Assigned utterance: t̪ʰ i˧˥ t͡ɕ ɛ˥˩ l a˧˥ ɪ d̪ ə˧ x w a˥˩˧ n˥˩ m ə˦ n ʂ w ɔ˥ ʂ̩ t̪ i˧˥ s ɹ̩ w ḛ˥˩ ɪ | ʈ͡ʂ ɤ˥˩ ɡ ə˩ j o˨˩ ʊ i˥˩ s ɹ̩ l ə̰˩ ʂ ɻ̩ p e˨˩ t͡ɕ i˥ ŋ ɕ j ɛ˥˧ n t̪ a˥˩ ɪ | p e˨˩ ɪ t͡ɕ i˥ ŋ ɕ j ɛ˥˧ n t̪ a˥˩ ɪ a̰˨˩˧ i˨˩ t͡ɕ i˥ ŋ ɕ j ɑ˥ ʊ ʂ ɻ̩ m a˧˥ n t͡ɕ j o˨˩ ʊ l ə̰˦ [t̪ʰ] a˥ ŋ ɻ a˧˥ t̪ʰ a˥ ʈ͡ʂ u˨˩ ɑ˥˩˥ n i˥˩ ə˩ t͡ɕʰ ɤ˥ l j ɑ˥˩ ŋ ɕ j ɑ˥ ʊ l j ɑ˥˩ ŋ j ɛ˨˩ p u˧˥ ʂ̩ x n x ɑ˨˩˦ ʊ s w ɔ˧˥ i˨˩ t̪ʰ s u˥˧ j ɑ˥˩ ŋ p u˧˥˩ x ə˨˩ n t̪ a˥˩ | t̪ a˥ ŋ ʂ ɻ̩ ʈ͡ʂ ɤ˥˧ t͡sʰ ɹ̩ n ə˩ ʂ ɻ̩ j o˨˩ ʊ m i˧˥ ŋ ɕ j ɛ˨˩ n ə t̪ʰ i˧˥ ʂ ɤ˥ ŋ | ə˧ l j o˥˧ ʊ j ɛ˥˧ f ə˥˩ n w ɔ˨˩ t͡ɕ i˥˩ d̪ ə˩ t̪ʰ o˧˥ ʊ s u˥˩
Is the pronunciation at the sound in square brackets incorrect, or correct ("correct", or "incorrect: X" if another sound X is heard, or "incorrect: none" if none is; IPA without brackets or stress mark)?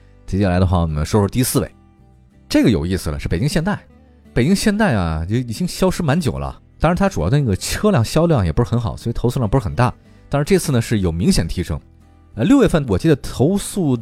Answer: incorrect: t̪